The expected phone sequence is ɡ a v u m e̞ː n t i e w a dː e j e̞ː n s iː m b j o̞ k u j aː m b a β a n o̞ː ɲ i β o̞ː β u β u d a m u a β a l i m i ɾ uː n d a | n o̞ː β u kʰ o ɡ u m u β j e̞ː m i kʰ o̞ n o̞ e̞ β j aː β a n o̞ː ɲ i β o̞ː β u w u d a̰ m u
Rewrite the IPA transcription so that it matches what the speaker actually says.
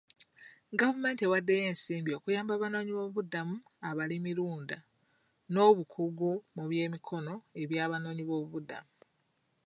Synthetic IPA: ɡ a v u m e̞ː n t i e w a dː e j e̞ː n s iː m b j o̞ k u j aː m b a β a n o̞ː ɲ i β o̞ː β u β u d a m u a β a l i m i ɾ uː n d a | n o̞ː β u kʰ u ɡ u m u β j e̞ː m i kʰ o̞ n o̞ e̞ β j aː β a n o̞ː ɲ i β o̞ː β u β u d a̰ m u

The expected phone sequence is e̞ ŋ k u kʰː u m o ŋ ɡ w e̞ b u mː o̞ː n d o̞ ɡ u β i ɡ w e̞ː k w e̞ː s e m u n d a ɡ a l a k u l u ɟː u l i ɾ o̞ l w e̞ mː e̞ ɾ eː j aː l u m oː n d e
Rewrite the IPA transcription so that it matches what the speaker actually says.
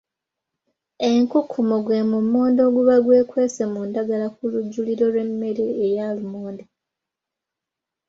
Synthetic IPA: e̞ ŋ k u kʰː u m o ɡ w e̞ m u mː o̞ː n d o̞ ɡ u β a ɡ w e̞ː k w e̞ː s e m u n d a ɡ a l a k u l u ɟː u l i ɾ o̞ l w e̞ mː e̞ ɾ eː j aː l u m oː n d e

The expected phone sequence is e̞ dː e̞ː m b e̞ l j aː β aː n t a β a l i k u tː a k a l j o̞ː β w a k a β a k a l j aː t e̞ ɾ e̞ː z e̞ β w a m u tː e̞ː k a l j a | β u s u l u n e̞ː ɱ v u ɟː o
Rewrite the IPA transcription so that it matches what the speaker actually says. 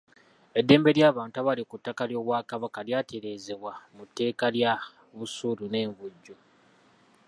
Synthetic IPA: e̞ dː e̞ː m b e̞ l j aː β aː n t a β a l i k u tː a k a l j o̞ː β w a k a β a k a l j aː t e̞ ɾ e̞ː z e̞ β w a m u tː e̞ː k a l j a | β u s u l u n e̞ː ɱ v u ɟː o

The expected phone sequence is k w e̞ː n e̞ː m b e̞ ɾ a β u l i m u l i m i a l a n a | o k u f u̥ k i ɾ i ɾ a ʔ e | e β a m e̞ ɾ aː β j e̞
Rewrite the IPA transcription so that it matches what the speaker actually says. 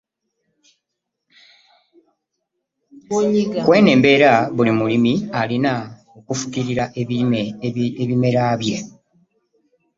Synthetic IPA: k w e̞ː n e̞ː m b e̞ ɾ a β u l i m u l i m i a l i n a | o k u f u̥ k i ɾ i ɾ a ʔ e | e β i m e̞ ɾ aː β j e̞

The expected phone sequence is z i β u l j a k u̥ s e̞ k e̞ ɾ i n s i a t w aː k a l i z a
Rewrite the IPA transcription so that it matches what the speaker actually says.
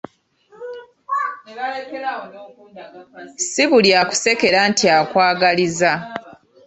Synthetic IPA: s i β u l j a k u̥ s e̞ k e̞ ɾ a n t i a k w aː ɡ a l i z a

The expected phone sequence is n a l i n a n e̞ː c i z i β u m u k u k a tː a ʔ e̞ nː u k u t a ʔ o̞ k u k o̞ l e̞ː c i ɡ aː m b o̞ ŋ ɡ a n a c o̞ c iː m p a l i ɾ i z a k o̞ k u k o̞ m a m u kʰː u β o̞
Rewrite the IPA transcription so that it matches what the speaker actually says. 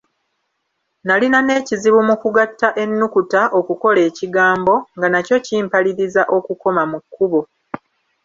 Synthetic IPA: n a l i n a n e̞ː c i z i β u m u k u ɡ a tː a ʔ e̞ nː u k u t a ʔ o̞ k u k o̞ l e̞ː c i ɡ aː m b o̞ ŋ ɡ a n a c o̞ c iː m p a l i ɾ i z a ʔ o̞ k u k o̞ m a m u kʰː u β o̞

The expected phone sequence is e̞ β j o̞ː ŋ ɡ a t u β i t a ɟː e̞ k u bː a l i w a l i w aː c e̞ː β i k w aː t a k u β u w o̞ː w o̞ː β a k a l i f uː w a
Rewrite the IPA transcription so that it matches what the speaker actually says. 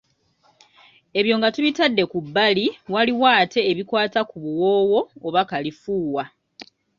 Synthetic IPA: e̞ β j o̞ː ŋ ɡ a t u β i t a dː e̞ k u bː a l i w a l i w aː t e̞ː β i k w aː t a k u β u w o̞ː w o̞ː β a k a l i f uː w a

